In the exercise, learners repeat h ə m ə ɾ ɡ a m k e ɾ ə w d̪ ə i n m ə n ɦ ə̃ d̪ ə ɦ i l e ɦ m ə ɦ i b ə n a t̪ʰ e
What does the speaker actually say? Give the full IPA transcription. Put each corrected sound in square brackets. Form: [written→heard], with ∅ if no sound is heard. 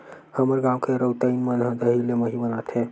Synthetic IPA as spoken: h ə m ə ɾ ɡ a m k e ɾ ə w [d̪→t̪] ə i n m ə n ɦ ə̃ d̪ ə ɦ i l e [ɦ→∅] m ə ɦ i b ə n a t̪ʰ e

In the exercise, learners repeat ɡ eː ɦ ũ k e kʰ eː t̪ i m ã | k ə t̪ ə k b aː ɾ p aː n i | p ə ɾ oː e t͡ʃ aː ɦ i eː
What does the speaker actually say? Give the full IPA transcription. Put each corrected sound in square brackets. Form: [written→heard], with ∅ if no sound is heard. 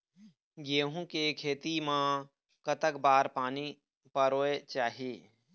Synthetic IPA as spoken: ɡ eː ɦ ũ k e kʰ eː t̪ i m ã | k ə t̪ ə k b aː ɾ p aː n i | p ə ɾ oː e t͡ʃ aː ɦ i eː

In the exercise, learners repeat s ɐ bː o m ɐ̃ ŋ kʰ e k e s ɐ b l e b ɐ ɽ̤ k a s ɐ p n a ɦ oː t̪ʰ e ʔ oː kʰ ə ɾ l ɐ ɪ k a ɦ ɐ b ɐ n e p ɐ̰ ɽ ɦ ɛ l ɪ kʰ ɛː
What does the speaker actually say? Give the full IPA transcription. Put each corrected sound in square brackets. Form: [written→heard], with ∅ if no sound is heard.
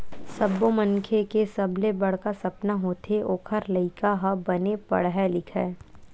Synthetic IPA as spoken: s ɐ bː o m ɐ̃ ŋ kʰ e k e s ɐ b l e b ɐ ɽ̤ k a s ɐ p n a ɦ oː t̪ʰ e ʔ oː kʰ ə ɾ l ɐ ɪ k a ɦ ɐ b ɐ n e p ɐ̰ ɽ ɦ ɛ l ɪ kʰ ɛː

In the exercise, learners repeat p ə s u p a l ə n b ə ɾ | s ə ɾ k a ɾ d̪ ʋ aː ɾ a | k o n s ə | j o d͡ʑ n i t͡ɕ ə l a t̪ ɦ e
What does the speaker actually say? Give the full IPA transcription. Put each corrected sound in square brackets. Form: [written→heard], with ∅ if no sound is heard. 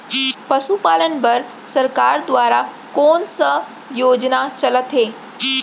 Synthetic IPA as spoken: p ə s u p a l ə n b ə ɾ | s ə ɾ k a ɾ d̪ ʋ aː ɾ a | k o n s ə | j o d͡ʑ n [i→a] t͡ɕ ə l [a→ə] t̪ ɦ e

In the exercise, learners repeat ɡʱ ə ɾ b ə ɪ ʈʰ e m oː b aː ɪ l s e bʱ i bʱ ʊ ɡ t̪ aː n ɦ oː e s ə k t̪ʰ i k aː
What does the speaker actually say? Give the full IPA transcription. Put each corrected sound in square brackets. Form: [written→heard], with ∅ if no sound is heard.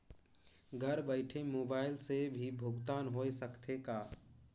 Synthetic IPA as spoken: ɡʱ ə ɾ b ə ɪ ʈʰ e m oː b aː ɪ l s e bʱ i bʱ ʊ ɡ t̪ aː n ɦ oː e s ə k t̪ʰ [i→e] k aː

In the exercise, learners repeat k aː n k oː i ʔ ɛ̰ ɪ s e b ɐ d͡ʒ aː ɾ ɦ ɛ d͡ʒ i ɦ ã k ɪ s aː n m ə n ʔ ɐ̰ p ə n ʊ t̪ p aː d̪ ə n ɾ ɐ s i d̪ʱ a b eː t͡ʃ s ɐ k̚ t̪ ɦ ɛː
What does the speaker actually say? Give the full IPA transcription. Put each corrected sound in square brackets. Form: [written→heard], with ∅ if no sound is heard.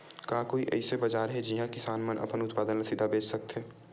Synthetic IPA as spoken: k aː [n→∅] k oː i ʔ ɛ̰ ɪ s e b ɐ d͡ʒ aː ɾ ɦ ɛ d͡ʒ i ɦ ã k ɪ s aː n m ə n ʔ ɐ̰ p ə n ʊ t̪ p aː d̪ ə n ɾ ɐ s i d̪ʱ a b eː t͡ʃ s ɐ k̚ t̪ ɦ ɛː

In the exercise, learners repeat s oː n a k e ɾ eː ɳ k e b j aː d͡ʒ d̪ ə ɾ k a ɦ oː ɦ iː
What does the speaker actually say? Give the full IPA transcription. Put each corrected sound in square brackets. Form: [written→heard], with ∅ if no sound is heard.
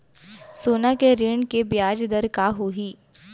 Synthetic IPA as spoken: s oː n a k e ɾ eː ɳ k e b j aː d͡ʒ d̪ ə ɾ k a ɦ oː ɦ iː

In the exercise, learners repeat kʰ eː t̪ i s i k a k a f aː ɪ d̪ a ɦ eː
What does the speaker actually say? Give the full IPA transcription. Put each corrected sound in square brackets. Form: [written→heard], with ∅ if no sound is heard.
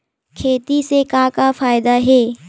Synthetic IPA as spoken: kʰ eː t̪ i s [i→e] k a k a f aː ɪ d̪ a ɦ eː

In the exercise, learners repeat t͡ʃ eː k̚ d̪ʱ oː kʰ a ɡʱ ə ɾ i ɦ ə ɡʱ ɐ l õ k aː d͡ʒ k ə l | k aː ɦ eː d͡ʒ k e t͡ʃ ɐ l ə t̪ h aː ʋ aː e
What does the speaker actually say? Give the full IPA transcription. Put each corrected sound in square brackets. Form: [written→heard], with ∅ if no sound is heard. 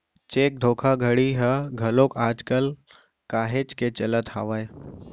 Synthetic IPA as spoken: t͡ʃ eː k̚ d̪ʱ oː kʰ a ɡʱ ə [ɾ→ɽ] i ɦ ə ɡʱ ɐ l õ k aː d͡ʒ k ə l | k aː ɦ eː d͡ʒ k e t͡ʃ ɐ l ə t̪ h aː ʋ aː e

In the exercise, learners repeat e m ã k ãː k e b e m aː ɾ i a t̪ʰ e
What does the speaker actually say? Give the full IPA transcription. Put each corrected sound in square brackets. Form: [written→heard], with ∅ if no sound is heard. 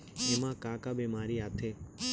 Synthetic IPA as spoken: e m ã k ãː k [e→a] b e m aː ɾ i a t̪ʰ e

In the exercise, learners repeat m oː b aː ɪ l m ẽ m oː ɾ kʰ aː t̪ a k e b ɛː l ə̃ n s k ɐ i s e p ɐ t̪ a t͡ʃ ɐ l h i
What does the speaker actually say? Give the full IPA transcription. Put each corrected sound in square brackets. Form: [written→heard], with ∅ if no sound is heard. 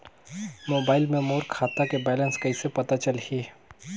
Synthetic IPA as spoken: m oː b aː ɪ l m ẽ m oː ɾ kʰ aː t̪ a k e b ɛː l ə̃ n s k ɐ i s e p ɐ t̪ a t͡ʃ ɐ l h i

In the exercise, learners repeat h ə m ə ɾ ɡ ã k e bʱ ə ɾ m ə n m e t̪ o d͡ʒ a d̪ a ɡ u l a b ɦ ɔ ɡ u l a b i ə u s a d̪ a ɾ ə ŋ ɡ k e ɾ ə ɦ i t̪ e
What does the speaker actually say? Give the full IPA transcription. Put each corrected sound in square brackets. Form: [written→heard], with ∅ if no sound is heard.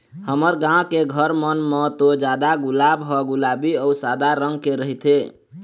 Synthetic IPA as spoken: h ə m ə ɾ ɡ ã k e [bʱ→ɡʱ] ə ɾ m ə n m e t̪ o d͡ʒ a d̪ a ɡ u l a b ɦ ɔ ɡ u l a b i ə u s a d̪ a ɾ ə ŋ ɡ k e ɾ ə ɦ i t̪ e

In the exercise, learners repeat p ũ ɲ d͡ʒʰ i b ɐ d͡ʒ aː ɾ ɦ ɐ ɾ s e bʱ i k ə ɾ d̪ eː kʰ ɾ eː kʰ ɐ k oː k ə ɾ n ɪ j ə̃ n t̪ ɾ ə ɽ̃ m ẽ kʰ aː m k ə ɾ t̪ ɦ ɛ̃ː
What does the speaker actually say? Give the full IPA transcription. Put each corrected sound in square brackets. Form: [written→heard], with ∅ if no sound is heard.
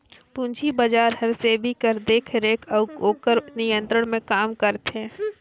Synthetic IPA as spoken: p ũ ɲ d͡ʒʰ i b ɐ d͡ʒ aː ɾ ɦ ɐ ɾ s e bʱ i k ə ɾ d̪ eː kʰ ɾ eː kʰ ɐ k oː k ə ɾ n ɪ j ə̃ n t̪ ɾ ə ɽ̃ m ẽ [kʰ→k] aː m k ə ɾ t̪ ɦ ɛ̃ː

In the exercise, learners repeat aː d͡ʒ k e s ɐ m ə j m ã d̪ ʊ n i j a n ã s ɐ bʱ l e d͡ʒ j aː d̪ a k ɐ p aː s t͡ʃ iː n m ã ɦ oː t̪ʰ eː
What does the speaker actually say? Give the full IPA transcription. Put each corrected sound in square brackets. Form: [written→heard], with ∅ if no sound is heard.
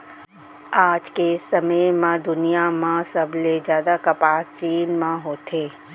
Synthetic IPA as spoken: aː d͡ʒ k e s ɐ m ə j m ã d̪ ʊ n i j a [n→m] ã s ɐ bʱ l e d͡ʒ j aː d̪ a k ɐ p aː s t͡ʃ iː n m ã ɦ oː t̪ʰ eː

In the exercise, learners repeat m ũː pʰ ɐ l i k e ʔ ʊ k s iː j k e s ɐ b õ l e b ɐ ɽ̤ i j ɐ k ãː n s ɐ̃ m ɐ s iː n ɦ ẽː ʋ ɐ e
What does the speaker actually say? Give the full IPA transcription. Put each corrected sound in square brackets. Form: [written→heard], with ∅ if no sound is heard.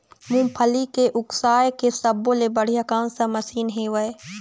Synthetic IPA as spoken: m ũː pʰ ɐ l i k e ʔ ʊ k s [iː→aː] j k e s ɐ b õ l e b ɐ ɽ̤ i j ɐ k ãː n s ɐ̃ m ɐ s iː n ɦ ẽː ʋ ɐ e

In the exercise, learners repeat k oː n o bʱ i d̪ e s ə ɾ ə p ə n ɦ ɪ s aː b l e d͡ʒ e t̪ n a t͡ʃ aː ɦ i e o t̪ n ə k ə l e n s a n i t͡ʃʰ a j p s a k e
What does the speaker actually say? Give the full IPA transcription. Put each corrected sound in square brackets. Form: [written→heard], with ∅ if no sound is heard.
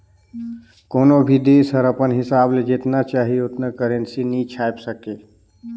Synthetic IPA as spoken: k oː n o bʱ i d̪ e s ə ɾ ə p ə n ɦ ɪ s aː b l e d͡ʒ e t̪ n a t͡ʃ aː ɦ i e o t̪ n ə k ə [l→ɾ] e n s [a→i] n i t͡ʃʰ a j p s [a→ə] k e

